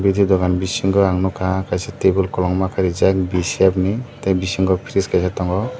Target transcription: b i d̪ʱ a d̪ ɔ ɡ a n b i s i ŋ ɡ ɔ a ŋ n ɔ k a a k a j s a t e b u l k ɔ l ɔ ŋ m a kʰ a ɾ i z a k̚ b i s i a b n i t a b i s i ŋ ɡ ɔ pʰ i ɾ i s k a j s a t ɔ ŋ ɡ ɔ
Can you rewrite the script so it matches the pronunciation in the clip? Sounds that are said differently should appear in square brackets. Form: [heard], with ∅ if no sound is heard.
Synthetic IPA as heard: b i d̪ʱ [i] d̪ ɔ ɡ a n b i s i ŋ ɡ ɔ a ŋ n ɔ k a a k a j s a t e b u l k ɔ l ɔ ŋ m a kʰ a ɾ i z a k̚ b i s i a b n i t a b i s i ŋ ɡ ɔ pʰ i ɾ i s k a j s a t ɔ ŋ ɡ ɔ